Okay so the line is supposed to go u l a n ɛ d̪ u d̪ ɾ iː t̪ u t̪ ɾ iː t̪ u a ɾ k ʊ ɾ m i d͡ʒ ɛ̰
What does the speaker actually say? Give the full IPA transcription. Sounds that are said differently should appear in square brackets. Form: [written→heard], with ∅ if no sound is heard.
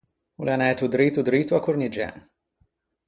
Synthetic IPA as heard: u l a n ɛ [d̪→t̪] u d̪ ɾ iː t̪ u [t̪→d̪] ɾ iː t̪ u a [ɾ→∅] k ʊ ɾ [m→n] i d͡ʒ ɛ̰